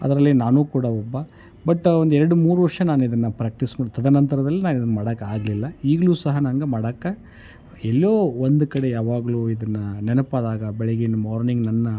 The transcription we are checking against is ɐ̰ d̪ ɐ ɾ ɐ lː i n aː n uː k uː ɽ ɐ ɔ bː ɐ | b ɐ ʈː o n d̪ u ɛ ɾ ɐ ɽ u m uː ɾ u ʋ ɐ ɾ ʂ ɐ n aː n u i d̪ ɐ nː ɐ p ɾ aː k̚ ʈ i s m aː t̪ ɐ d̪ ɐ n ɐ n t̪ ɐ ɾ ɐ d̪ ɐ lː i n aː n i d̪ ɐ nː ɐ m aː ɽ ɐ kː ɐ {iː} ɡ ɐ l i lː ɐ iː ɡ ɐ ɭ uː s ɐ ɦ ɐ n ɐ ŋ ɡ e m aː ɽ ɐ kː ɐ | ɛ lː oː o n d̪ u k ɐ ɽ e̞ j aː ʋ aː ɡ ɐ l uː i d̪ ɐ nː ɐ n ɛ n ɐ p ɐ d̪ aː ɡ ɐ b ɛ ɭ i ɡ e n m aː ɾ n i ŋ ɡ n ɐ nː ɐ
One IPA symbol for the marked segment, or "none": aː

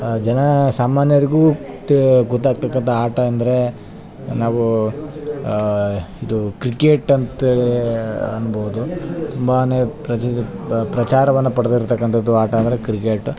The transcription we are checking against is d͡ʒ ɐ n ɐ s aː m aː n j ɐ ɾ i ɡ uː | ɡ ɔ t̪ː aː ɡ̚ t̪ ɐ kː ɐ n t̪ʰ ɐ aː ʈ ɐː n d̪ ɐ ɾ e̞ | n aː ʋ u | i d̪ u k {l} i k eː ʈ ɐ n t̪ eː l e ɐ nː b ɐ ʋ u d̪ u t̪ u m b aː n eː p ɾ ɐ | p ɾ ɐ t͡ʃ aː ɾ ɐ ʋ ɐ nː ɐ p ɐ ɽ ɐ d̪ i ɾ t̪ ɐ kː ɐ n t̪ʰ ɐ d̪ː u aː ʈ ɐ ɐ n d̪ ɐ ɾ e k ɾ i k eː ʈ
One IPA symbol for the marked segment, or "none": ɾ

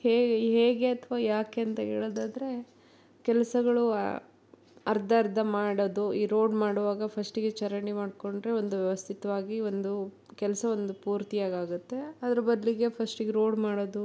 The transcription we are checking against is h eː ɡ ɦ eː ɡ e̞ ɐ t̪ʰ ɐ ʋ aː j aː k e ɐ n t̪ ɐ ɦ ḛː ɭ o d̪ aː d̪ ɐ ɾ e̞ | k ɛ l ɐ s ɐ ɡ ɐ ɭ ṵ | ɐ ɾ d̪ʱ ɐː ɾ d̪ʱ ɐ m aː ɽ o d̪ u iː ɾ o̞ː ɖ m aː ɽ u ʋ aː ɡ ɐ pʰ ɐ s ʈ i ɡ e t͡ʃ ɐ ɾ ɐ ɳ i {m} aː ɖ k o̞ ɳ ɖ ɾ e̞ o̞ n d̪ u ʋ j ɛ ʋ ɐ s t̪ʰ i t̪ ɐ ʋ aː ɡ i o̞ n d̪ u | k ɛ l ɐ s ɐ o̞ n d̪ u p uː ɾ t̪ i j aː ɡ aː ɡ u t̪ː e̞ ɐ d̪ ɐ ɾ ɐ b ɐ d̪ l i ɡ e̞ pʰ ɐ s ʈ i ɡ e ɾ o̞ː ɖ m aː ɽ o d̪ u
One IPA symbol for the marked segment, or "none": m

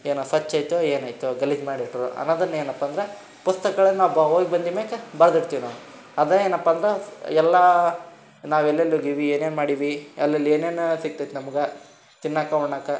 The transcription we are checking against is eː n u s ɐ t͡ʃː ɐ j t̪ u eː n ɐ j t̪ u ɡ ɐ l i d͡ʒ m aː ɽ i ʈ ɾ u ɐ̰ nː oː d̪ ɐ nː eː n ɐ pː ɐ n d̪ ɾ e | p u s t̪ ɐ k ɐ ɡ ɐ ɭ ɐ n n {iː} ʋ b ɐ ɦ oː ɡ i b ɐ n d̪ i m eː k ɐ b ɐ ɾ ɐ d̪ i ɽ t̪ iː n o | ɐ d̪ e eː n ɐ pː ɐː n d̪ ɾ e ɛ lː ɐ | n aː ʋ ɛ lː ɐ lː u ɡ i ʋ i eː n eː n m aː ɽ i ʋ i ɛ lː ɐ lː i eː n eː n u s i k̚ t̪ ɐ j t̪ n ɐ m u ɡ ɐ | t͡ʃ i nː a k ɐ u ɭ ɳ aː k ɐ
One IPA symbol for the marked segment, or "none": aː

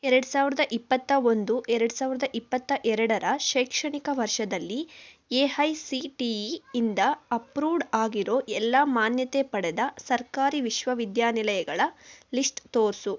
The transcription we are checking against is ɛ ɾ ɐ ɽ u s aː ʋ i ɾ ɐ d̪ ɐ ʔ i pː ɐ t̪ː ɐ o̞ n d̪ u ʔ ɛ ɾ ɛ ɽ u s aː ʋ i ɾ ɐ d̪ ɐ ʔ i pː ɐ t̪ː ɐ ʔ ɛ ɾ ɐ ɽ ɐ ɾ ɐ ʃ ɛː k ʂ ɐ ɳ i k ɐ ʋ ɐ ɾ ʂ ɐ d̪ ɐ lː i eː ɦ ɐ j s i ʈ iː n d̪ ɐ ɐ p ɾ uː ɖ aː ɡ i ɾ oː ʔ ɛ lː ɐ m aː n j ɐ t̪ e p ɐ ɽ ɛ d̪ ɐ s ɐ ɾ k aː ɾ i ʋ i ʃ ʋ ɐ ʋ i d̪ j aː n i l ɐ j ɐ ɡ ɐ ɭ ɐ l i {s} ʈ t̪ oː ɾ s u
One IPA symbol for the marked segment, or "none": s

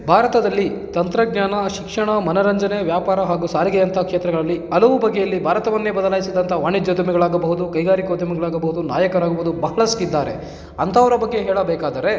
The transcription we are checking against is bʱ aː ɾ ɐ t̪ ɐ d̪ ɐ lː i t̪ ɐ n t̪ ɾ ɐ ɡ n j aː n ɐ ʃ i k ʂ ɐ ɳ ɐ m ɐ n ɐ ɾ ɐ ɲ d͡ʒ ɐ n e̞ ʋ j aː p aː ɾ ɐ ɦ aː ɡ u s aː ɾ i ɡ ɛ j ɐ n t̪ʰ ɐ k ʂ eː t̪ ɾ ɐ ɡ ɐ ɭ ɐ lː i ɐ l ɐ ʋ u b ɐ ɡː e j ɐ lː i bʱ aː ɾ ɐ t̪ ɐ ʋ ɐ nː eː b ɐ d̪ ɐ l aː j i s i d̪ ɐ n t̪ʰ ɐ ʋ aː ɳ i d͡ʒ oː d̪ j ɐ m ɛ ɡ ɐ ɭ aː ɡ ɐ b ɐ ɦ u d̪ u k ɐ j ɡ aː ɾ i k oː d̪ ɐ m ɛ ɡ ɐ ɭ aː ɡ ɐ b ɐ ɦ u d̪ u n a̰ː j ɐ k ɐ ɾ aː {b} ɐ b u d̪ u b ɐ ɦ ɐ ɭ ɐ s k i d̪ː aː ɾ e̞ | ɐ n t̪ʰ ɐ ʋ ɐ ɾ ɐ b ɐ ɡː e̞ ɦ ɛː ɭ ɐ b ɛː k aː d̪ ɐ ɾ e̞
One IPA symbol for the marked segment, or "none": ɡ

